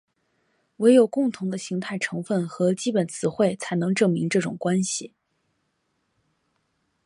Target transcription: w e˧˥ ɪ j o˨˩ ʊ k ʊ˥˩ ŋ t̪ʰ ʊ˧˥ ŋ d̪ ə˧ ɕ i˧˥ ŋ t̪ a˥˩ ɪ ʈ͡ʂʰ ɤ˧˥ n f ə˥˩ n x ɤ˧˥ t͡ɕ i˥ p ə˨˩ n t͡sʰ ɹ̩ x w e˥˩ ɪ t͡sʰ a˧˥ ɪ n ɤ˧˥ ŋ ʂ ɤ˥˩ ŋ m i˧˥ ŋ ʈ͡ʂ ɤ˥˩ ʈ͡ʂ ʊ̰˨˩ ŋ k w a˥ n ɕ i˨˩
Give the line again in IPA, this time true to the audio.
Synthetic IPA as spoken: w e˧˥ ɪ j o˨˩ ʊ k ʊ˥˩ ŋ t̪ʰ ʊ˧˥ ŋ d̪ ə˧ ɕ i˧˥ ŋ t̪ʰ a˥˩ ɪ ʈ͡ʂʰ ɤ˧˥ ŋ f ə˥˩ n x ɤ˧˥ t͡ɕ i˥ p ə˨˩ n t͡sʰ ɹ̩ x w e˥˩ ɪ t͡sʰ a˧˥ ɪ n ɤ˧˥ ŋ ʈ͡ʂ ɤ˥˩ ŋ m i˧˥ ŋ ʈ͡ʂ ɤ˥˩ ʈ͡ʂ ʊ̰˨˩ ŋ k w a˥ n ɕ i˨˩

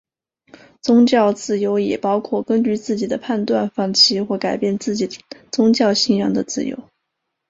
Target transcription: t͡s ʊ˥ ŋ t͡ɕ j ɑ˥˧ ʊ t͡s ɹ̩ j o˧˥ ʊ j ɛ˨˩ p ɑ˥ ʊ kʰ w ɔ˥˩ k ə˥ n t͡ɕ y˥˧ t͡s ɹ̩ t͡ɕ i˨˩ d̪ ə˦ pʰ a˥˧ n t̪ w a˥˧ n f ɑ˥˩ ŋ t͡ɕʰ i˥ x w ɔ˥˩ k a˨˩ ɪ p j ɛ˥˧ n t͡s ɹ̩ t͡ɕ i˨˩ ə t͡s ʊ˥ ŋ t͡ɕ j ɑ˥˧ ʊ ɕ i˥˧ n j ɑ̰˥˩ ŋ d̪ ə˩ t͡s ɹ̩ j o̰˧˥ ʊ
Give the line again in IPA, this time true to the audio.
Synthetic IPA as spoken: t͡s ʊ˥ ŋ t͡ɕ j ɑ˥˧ ʊ t͡s ɹ̩ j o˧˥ ʊ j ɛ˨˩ p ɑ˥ ʊ kʰ w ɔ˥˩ k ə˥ n t͡ɕ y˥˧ t͡s ɹ̩ t͡ɕ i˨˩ d̪ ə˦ pʰ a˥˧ n t̪ w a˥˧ n f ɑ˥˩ ŋ t͡ɕʰ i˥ x w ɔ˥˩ k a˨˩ ɪ p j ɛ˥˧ n t͡s ɹ̩ t͡ɕ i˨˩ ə t͡s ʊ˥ ŋ t͡ɕ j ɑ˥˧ ʊ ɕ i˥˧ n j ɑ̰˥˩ ŋ d̪ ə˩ t͡s ɹ̩ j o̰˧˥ ʊ

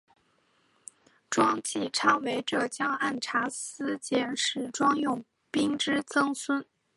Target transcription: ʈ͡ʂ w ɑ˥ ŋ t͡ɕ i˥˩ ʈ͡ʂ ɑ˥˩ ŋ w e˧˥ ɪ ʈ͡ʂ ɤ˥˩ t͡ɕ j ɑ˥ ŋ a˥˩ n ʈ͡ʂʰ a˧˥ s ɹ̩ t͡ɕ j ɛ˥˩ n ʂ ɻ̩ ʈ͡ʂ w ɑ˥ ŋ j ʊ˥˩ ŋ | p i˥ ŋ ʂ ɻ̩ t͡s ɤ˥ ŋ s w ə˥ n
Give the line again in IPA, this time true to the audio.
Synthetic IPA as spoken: ʈ͡ʂ w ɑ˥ ŋ t͡ɕ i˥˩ ʈ͡ʂʰ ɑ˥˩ ŋ w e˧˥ ɪ ʈ͡ʂ ɤ˥˩ t͡ɕ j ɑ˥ ŋ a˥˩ n ʈ͡ʂʰ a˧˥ s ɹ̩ t͡ɕ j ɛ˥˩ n ʂ ɻ̩ ʈ͡ʂ w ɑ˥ ŋ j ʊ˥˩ ŋ | p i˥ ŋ ʈ͡ʂ ɻ̩ t͡s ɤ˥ ŋ s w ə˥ n

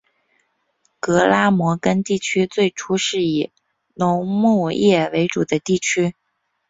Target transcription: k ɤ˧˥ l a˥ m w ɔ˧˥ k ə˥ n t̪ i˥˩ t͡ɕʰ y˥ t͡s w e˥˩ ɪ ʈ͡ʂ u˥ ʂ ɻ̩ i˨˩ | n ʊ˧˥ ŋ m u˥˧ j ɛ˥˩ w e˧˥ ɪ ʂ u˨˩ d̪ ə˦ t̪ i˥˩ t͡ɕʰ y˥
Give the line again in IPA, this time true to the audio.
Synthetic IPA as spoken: k ɤ˧˥ l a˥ m w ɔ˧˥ k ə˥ n t̪ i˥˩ t͡ɕʰ y˥ t͡s w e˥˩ ɪ ʈ͡ʂʰ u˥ ʂ ɻ̩ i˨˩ | n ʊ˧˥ ŋ m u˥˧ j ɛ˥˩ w e˧˥ ɪ ʈ͡ʂ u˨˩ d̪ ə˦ t̪ i˥˩ t͡ɕʰ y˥

